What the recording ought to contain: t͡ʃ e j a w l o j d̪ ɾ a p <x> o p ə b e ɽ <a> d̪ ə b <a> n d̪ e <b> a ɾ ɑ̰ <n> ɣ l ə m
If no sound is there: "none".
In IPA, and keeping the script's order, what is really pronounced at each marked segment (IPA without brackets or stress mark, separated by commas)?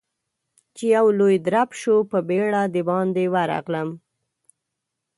ʃ, a, ɑ, w, none